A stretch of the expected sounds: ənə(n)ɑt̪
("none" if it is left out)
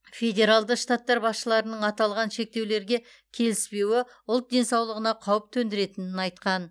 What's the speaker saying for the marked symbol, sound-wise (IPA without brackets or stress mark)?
ɴ